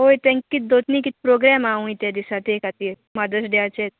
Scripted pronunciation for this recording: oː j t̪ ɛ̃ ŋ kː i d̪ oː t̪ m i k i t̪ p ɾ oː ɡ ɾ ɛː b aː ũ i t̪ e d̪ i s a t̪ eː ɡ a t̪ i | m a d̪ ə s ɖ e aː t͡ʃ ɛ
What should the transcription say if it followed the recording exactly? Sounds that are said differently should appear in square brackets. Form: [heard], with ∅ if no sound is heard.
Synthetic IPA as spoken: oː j t̪ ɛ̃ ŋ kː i d̪ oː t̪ [n] i k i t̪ p ɾ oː ɡ ɾ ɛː [m] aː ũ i t̪ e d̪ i s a t̪ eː [k] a t̪ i | m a d̪ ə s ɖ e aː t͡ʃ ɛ